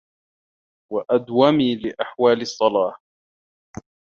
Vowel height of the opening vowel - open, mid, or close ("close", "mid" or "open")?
open